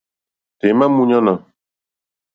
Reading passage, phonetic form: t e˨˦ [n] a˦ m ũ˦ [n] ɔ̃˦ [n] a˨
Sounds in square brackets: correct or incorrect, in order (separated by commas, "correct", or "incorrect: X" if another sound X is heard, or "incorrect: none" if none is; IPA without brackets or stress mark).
incorrect: m, incorrect: ɲ, correct